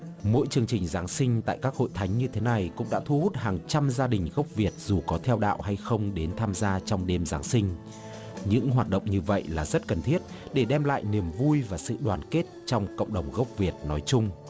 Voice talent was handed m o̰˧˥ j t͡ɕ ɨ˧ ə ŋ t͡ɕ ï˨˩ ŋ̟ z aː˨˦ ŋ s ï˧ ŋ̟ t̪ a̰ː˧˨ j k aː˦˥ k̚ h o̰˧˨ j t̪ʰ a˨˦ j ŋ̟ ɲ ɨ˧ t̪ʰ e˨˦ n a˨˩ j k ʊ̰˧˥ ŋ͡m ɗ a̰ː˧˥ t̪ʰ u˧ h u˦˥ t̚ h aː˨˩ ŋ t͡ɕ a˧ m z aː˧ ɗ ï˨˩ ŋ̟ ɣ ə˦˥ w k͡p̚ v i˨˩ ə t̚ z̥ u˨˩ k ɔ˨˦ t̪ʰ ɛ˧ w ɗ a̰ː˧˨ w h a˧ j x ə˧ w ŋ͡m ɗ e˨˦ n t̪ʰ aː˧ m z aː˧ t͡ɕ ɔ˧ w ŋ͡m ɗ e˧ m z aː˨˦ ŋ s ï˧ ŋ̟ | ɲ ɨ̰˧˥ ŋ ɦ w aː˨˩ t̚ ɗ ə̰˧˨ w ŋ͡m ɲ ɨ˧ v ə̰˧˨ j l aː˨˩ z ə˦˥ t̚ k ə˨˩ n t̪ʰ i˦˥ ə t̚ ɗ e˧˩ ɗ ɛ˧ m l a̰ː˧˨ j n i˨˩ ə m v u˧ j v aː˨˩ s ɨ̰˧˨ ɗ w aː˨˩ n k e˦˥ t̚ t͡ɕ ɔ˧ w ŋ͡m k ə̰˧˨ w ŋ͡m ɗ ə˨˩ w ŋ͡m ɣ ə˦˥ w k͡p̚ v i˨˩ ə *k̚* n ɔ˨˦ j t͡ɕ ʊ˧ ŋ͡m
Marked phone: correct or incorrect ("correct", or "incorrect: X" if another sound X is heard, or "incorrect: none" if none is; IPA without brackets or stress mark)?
incorrect: t̚